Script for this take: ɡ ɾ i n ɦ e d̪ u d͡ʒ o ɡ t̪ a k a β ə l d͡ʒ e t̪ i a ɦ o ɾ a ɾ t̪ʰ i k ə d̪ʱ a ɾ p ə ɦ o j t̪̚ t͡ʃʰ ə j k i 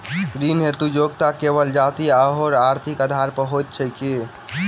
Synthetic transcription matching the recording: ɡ ɾ i n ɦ e t̪ u d͡ʒ o ɡ t̪ a k e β ə l d͡ʒ a t̪ i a ɦ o ɾ a ɾ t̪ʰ i k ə d̪ʱ a ɾ p ə ɦ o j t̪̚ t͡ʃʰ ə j k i